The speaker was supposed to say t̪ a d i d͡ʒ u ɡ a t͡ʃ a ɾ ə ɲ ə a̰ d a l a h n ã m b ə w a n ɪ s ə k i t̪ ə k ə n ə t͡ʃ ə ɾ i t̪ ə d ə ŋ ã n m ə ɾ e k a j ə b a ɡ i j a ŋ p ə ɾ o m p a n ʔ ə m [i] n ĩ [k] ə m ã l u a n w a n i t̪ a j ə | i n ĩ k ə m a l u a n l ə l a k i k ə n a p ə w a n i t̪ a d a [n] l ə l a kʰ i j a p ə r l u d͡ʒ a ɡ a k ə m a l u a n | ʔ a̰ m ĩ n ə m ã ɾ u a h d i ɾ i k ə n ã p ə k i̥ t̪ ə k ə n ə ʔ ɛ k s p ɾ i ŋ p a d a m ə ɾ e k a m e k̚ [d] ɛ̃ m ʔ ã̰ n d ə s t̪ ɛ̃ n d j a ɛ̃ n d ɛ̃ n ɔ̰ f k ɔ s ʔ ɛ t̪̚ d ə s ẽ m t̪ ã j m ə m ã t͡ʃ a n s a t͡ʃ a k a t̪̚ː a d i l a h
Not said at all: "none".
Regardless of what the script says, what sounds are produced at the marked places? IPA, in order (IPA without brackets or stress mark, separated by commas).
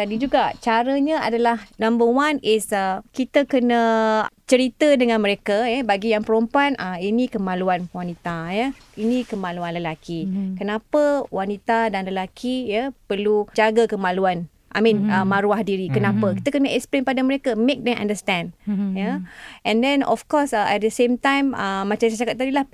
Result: i, k, n, d